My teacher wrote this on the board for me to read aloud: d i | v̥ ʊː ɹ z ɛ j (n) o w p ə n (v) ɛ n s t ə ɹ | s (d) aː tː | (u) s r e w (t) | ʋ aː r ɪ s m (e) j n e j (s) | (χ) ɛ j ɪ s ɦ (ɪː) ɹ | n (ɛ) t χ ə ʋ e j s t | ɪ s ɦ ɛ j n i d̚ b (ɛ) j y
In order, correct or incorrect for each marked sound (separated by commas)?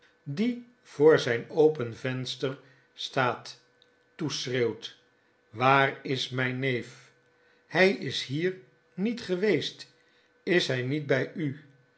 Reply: correct, correct, incorrect, correct, correct, incorrect, incorrect, incorrect, incorrect, incorrect, correct